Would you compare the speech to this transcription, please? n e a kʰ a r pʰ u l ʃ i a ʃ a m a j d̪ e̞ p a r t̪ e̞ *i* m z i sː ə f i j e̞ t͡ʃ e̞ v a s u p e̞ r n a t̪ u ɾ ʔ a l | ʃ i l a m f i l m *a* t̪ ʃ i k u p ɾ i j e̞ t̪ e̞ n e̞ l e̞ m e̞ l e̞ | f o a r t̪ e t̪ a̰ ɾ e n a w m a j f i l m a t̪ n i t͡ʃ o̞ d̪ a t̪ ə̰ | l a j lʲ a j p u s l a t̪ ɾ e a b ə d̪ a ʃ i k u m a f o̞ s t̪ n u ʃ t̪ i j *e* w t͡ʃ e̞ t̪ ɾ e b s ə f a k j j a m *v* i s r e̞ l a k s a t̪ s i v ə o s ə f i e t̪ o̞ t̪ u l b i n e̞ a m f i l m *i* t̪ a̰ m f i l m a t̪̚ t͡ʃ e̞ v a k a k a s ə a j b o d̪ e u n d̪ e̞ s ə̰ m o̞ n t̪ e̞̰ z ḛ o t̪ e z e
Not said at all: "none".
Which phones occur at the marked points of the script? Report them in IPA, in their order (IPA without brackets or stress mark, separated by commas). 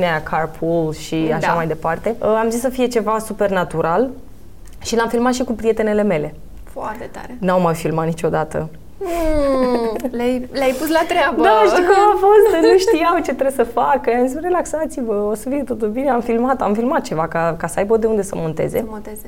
a, a, a, z, a